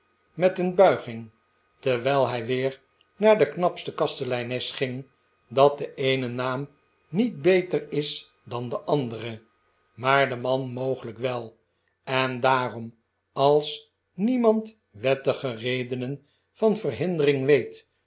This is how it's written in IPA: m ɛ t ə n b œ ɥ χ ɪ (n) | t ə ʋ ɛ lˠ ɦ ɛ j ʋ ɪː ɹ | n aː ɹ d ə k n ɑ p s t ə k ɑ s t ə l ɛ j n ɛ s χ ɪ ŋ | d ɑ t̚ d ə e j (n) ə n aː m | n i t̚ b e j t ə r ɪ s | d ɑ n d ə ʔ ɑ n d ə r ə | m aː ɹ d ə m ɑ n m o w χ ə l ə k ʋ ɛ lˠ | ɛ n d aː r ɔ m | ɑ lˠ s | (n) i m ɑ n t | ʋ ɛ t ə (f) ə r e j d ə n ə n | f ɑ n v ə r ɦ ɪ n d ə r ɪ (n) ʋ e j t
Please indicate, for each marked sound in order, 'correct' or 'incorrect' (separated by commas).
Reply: incorrect, correct, correct, incorrect, incorrect